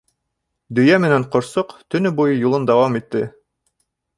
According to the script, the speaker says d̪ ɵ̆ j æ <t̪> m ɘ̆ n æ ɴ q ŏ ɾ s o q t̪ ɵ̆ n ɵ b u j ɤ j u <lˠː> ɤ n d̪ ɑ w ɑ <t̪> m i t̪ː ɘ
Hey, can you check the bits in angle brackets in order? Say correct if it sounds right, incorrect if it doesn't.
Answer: incorrect: none, incorrect: lˠ, incorrect: none

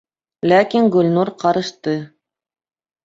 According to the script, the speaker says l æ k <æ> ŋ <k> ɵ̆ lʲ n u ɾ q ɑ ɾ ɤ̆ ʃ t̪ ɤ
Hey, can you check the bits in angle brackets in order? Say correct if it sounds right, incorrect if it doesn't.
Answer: incorrect: i, incorrect: ɡ

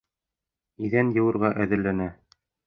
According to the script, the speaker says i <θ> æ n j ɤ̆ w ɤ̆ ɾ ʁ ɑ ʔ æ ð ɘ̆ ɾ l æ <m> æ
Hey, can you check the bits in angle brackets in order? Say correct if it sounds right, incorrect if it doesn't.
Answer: incorrect: ð, incorrect: n

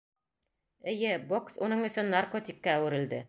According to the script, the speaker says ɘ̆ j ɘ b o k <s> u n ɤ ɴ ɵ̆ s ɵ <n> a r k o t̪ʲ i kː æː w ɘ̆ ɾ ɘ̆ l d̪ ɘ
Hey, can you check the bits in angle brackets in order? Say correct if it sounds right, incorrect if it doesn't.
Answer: correct, incorrect: nː

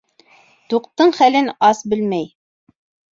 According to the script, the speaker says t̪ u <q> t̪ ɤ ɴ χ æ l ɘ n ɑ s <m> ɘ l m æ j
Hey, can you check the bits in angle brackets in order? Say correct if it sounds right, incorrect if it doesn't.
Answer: correct, incorrect: b

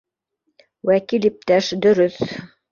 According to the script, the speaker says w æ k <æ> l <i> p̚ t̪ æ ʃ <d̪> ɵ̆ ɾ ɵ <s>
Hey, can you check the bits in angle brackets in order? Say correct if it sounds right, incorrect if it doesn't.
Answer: incorrect: i, correct, correct, incorrect: θ

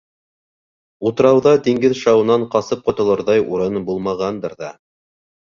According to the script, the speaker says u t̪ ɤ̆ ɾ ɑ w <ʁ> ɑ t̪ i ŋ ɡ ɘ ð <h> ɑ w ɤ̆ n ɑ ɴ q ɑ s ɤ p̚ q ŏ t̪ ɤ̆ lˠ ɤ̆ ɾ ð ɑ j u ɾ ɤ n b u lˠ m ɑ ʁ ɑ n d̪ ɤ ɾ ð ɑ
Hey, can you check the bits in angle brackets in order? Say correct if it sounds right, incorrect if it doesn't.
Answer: incorrect: ð, incorrect: ʃ

